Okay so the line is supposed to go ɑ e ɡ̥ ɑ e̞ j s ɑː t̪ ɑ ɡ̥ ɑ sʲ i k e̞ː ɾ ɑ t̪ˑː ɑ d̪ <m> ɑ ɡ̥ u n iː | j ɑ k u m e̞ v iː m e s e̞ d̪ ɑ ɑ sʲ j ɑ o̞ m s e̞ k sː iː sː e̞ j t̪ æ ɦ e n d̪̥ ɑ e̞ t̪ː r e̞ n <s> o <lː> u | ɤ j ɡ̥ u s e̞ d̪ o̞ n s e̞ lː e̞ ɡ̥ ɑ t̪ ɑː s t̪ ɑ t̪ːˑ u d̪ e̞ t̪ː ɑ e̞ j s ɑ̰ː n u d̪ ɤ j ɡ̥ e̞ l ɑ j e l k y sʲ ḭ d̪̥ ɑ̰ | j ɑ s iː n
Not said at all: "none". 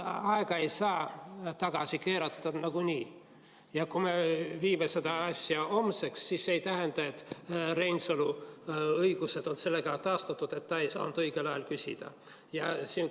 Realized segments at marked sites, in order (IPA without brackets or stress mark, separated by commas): n, s, l